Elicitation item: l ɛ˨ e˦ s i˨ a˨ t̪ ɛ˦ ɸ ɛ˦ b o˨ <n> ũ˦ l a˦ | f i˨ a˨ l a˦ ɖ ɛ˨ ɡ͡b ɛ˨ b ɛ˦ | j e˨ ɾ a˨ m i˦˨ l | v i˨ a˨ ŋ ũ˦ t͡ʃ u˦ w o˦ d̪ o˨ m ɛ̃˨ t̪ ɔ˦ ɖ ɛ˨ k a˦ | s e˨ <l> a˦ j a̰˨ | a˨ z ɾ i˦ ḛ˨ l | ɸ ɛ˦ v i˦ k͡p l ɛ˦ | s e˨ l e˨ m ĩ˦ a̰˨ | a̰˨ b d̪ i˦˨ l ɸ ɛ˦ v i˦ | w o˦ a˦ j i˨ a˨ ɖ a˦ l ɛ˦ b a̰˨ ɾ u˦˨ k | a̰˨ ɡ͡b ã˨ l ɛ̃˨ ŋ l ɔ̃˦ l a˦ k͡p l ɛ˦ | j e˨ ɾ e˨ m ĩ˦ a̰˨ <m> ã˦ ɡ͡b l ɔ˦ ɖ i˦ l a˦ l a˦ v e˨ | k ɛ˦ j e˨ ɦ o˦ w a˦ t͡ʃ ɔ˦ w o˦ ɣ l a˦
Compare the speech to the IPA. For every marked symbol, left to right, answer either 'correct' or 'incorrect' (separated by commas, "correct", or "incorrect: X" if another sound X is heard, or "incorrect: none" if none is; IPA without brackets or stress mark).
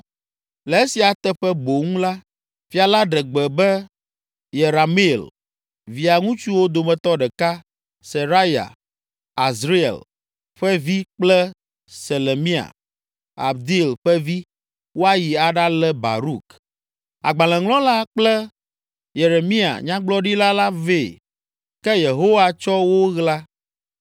incorrect: ŋ, incorrect: ɾ, incorrect: ɲ